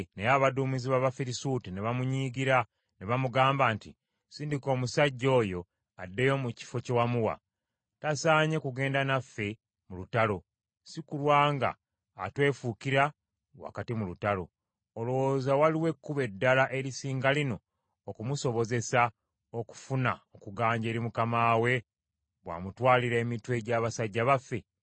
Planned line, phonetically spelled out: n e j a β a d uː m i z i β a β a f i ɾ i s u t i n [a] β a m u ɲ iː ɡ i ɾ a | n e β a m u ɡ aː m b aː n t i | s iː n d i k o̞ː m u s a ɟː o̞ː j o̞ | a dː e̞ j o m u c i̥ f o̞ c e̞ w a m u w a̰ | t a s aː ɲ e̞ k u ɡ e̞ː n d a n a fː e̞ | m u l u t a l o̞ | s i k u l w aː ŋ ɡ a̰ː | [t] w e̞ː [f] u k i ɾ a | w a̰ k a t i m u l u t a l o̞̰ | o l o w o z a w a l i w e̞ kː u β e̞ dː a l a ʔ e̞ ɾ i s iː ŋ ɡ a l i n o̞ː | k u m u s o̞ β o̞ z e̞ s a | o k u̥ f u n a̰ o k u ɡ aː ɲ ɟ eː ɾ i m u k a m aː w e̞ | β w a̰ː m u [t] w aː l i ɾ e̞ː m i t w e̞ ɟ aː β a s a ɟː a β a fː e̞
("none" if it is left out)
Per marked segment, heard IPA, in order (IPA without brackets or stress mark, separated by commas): e, t, f, t